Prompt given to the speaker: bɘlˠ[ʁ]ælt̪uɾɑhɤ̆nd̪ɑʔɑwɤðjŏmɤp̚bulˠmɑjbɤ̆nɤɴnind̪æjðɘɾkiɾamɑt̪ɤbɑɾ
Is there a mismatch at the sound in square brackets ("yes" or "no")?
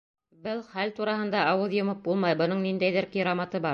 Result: yes